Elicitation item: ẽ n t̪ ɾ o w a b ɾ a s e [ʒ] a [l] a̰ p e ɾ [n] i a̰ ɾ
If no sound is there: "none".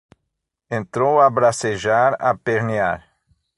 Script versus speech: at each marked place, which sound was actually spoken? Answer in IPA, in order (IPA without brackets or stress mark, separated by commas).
ʒ, ɾ, n